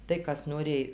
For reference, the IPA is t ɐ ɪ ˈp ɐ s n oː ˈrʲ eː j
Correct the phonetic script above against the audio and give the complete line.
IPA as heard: t ɐ ɪ ˈk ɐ s n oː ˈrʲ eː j